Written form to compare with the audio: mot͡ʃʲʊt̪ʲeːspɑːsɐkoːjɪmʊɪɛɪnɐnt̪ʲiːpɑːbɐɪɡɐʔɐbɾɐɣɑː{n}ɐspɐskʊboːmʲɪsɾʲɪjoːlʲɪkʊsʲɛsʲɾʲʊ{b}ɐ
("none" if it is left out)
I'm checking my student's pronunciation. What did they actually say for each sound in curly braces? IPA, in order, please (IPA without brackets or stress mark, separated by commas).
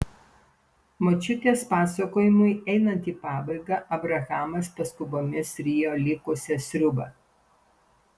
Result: m, b